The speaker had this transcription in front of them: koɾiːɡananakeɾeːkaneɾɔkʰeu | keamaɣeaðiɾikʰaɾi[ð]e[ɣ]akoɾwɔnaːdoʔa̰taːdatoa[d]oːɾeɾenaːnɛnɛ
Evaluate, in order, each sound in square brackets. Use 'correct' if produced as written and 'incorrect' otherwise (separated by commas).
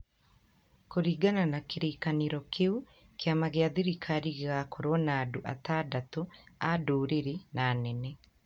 incorrect, correct, correct